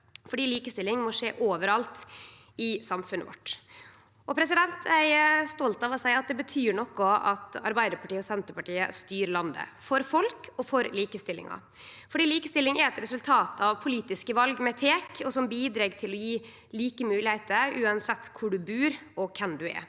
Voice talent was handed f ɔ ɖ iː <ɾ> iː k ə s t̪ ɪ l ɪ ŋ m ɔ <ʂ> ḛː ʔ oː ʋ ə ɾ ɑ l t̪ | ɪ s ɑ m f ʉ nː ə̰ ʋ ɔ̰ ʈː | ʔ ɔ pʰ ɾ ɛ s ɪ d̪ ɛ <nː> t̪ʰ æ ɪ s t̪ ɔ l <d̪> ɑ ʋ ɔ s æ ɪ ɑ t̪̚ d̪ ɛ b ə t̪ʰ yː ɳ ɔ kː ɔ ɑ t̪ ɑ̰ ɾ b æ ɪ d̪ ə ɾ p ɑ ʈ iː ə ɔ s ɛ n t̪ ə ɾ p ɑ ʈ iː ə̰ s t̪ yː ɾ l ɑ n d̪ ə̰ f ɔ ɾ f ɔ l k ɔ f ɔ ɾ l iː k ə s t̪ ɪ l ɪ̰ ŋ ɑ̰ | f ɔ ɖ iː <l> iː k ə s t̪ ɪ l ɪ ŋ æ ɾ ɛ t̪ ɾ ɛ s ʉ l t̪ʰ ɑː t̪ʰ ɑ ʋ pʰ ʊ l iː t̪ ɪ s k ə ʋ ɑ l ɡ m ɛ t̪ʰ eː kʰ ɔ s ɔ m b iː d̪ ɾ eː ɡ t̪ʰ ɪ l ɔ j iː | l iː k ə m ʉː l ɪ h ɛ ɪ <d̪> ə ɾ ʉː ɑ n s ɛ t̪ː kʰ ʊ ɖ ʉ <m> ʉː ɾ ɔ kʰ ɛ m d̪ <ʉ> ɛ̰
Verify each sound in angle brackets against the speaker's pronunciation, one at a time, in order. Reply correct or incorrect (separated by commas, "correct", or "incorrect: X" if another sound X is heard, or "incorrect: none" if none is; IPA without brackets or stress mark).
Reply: incorrect: l, correct, incorrect: n, incorrect: t̪, correct, incorrect: t̪, incorrect: b, correct